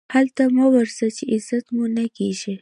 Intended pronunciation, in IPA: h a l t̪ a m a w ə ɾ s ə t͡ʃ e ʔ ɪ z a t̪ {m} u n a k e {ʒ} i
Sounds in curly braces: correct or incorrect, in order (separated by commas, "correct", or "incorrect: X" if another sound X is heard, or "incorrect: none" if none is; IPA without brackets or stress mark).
correct, correct